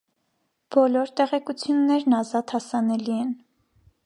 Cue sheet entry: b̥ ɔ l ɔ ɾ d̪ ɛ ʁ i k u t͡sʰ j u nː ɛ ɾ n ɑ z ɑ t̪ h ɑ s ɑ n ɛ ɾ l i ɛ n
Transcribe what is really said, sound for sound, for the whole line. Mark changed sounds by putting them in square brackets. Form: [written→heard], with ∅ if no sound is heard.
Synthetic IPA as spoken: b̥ ɔ l ɔ ɾ [d̪→t̪] ɛ ʁ [i→ɛ] k u t͡sʰ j u nː ɛ ɾ n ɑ z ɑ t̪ h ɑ s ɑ n ɛ [ɾ→∅] l i ɛ n